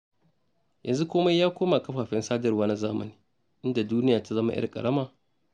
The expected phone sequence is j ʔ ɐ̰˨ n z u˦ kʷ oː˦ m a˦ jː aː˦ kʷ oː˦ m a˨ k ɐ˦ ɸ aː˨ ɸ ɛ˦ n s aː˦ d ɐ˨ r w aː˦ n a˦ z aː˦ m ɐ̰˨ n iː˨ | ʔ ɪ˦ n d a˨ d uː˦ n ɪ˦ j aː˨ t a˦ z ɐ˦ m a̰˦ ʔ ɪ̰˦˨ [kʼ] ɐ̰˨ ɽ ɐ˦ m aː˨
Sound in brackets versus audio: correct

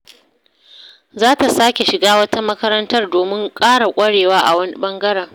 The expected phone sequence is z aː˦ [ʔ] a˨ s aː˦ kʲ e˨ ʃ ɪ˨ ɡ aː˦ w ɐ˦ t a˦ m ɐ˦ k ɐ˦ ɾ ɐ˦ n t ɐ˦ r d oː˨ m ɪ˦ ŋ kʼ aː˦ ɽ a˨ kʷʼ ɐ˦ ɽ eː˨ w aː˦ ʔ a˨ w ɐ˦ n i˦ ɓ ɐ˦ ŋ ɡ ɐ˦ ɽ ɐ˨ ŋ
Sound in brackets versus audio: incorrect: t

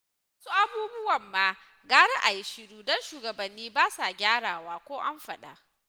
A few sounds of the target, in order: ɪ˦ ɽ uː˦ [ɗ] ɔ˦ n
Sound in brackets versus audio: incorrect: d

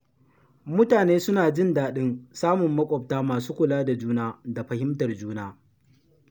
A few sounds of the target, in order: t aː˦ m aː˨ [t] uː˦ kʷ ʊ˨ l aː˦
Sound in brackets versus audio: incorrect: s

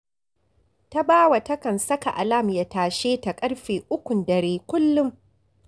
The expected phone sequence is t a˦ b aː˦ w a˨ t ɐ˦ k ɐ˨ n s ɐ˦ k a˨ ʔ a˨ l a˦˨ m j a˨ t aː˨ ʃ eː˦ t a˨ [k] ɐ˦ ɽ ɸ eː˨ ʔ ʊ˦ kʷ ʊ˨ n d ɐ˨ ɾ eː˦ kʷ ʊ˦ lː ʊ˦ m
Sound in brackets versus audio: incorrect: kʼ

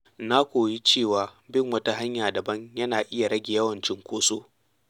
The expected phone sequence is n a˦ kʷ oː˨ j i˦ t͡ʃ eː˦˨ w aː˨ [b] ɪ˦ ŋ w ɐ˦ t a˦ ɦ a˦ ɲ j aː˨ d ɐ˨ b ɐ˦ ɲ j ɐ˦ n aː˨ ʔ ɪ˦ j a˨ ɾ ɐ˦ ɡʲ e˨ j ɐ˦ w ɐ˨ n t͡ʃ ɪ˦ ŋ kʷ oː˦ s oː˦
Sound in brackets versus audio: correct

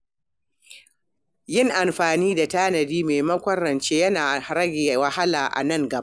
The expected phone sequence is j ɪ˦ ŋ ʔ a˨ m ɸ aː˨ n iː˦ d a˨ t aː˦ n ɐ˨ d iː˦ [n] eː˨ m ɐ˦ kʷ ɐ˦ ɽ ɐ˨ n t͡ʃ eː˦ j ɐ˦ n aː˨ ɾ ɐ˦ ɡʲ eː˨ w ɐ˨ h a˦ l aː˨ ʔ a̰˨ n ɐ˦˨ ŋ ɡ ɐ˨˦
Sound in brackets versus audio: incorrect: m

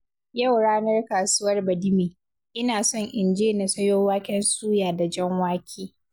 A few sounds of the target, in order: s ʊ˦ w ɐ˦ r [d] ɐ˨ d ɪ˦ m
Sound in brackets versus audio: incorrect: b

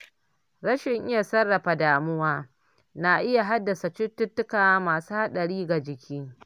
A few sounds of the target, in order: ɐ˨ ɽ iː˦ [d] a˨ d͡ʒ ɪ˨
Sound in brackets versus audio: incorrect: ɡ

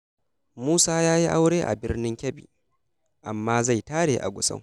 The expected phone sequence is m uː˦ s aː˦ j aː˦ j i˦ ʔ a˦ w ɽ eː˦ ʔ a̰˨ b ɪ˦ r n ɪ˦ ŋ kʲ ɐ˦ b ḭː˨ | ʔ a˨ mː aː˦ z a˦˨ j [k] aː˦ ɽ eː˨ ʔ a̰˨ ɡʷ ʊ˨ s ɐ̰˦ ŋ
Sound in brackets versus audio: incorrect: t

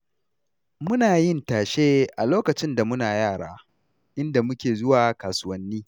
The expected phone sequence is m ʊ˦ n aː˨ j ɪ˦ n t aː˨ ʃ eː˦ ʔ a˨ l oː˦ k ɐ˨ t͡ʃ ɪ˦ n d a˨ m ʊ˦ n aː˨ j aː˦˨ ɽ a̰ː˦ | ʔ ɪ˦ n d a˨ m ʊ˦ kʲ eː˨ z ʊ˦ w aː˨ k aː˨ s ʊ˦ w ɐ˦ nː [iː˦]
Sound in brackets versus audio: correct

